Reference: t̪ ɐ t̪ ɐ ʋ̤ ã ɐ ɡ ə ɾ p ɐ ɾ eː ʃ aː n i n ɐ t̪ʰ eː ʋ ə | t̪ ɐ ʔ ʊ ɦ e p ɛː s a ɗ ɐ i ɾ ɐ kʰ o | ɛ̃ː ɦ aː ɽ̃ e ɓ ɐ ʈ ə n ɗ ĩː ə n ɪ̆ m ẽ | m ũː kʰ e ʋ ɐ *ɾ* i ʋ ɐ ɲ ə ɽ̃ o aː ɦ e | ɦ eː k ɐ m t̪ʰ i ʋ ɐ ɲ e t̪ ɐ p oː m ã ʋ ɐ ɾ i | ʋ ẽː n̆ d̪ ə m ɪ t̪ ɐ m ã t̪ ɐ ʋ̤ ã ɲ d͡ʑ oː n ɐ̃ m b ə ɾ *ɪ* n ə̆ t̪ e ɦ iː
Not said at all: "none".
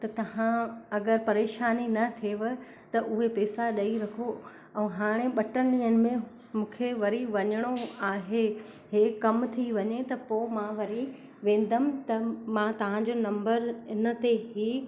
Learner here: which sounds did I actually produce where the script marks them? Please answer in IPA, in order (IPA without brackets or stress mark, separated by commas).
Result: ɾ, ɪ